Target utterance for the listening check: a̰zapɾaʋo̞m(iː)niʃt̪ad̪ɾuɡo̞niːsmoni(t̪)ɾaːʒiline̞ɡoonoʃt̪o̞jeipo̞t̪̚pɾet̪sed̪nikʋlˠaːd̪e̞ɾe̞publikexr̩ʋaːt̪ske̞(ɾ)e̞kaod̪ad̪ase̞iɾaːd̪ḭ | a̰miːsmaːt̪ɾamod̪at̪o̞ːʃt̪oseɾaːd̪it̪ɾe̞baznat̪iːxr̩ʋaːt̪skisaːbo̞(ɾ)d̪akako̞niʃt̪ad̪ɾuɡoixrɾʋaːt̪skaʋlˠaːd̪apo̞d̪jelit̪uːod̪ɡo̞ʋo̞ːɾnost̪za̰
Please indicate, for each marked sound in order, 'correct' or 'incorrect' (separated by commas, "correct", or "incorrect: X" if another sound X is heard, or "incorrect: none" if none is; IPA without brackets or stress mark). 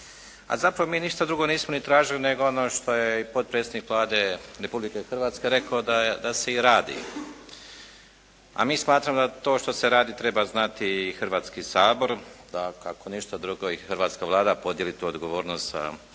correct, correct, correct, correct